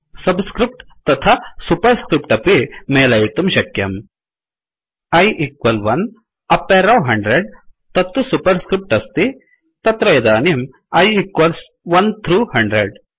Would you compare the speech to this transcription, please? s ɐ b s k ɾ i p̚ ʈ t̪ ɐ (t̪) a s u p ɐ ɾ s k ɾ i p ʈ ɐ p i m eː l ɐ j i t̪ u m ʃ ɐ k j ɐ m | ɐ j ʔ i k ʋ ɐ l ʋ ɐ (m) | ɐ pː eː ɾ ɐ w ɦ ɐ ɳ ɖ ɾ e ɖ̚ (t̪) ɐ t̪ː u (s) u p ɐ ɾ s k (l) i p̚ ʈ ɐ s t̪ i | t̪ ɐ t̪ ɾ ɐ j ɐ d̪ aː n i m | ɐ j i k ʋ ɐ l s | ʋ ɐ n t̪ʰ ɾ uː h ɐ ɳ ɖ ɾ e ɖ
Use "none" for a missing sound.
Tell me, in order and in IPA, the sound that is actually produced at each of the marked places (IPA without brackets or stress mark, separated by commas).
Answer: t̪ʰ, n, t̪, s, ɾ